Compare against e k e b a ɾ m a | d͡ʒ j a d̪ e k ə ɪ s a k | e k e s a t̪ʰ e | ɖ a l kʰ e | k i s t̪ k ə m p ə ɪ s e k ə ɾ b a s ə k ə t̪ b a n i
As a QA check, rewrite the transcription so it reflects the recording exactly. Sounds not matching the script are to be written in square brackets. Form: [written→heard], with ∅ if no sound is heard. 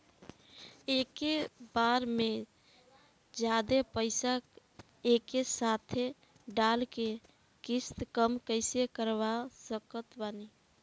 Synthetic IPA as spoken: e k e b a ɾ m [a→e] | d͡ʒ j a d̪ e [k→p] ə ɪ s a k | e k e s a t̪ʰ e | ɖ a l [kʰ→k] e | k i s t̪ k ə m [p→k] ə ɪ s e k ə ɾ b a s ə k ə t̪ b a n i